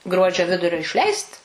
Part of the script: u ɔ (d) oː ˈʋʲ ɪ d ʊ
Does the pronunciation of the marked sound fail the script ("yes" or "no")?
yes